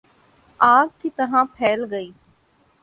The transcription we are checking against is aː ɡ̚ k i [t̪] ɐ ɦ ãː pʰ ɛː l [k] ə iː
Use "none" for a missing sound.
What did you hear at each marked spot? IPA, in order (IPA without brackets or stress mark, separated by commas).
t̪, ɡ